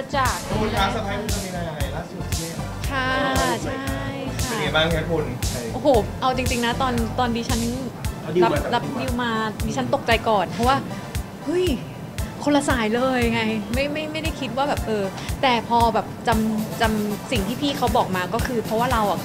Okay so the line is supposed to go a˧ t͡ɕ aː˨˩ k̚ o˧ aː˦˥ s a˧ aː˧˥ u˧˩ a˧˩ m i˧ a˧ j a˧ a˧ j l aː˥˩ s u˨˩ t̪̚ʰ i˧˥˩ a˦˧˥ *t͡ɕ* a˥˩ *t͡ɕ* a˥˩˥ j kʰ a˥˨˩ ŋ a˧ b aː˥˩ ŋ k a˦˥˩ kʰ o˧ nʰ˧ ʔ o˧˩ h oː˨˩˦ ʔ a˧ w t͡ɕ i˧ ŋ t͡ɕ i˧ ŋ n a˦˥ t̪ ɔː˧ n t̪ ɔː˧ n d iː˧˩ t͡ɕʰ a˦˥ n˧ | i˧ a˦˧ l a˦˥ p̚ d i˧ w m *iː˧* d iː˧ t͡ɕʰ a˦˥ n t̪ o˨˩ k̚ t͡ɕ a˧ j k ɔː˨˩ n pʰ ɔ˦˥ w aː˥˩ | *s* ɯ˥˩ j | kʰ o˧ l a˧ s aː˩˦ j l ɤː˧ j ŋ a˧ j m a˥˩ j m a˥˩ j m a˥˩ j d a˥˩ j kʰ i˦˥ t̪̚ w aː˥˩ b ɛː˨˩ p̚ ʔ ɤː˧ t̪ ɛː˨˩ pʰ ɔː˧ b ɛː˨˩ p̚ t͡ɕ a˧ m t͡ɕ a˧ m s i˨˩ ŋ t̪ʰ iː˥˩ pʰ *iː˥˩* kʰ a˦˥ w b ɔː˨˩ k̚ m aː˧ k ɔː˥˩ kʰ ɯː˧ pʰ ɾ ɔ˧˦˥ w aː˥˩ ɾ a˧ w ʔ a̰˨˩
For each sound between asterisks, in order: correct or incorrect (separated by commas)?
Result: incorrect, incorrect, incorrect, incorrect, correct